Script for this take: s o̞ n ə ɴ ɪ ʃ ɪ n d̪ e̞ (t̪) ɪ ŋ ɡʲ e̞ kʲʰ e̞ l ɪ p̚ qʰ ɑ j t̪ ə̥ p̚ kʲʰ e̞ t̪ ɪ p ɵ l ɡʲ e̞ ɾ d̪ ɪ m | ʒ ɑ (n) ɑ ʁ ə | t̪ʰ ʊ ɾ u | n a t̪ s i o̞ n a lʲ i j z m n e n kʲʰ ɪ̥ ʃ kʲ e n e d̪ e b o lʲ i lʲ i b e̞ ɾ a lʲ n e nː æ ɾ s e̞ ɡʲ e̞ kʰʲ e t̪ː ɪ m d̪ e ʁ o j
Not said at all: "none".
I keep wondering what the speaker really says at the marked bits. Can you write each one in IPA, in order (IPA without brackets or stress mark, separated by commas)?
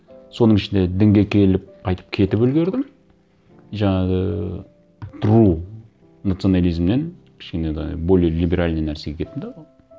d̪, ɴ